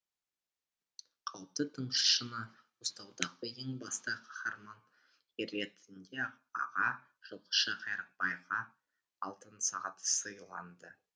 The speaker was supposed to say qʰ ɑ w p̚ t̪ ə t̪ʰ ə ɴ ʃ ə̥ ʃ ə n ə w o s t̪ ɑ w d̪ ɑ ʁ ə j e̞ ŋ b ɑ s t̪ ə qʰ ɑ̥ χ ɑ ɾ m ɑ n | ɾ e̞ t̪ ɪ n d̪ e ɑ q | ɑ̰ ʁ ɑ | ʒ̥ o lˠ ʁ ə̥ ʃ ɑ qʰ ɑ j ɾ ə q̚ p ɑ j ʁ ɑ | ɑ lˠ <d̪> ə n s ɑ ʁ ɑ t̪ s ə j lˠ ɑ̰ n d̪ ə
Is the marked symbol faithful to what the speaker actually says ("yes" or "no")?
no